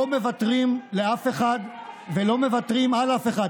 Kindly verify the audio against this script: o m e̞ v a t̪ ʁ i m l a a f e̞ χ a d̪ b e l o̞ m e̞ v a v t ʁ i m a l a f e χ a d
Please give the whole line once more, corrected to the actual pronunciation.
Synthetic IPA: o m e̞ v a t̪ ʁ i m l e a f e̞ χ a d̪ v e l o̞ m e̞ v a t ʁ i m a l a f e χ a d